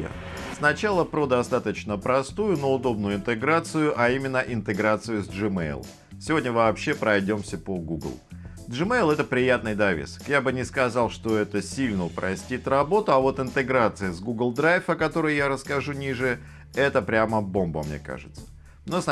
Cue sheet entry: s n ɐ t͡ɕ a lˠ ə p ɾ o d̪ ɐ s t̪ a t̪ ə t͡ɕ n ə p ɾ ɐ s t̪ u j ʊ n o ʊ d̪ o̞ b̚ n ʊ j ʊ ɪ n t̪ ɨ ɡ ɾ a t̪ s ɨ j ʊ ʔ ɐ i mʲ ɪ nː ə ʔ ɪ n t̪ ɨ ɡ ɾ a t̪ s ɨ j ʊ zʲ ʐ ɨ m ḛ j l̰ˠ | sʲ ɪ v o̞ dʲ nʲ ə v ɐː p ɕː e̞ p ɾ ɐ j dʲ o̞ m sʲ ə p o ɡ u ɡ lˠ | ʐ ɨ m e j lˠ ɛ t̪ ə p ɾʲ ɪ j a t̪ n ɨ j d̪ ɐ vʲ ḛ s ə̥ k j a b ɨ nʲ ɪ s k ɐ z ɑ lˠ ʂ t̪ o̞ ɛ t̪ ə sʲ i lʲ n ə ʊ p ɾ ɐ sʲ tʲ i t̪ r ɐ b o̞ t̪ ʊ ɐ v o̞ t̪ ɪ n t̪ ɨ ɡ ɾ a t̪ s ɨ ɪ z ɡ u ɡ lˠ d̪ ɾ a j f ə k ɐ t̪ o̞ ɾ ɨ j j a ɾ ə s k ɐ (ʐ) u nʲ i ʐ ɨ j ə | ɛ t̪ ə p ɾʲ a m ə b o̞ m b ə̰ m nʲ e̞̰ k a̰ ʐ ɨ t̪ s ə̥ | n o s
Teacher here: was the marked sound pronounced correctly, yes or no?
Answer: yes